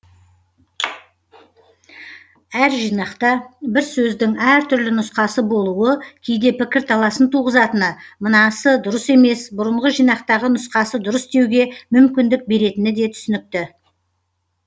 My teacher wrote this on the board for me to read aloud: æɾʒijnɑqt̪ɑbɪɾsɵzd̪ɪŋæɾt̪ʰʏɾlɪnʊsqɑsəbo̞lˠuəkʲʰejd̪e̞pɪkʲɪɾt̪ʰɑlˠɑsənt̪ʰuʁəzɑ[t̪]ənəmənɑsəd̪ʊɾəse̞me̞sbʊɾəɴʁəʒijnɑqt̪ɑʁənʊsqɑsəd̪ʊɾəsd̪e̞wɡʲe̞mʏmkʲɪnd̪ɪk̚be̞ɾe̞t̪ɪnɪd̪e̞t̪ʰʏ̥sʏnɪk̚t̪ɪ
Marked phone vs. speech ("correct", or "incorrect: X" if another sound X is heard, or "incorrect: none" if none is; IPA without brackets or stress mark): correct